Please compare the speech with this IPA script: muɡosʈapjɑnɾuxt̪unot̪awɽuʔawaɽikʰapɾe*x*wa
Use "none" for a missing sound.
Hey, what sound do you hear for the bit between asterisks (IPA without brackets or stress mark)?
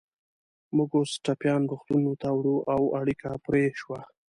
ʃ